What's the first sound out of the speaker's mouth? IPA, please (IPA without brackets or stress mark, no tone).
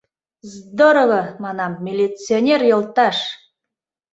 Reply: z